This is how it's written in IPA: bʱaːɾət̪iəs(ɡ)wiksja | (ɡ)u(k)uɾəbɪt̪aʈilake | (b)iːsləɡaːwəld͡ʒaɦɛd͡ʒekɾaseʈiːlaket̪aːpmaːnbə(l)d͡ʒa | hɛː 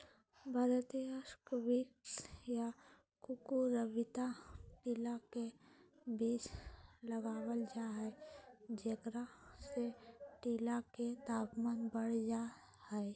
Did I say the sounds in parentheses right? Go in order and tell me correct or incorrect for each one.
incorrect: k, incorrect: k, correct, correct, incorrect: ɽ

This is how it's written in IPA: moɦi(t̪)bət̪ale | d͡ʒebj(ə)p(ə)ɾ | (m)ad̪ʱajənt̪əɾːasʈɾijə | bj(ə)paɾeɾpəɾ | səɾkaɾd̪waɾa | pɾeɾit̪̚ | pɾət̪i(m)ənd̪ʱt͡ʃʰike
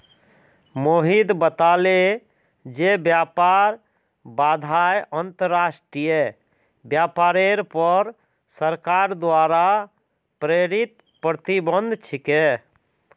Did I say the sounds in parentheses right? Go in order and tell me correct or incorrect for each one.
incorrect: d̪, incorrect: a, incorrect: a, incorrect: b, incorrect: a, incorrect: b

